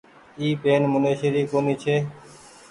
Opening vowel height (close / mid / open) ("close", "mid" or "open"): close